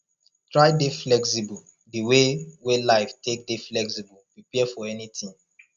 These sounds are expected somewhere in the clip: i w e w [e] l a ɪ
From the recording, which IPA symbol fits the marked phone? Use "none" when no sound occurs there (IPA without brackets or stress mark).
e